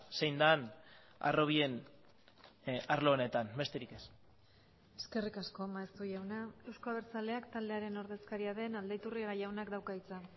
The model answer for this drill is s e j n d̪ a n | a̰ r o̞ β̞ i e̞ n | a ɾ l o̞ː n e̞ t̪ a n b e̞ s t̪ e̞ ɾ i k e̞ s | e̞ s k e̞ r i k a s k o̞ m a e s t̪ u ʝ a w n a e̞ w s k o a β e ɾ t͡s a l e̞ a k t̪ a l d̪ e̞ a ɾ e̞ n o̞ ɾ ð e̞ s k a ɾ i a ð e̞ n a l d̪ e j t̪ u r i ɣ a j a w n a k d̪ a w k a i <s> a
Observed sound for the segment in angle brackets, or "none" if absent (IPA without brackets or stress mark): t͡s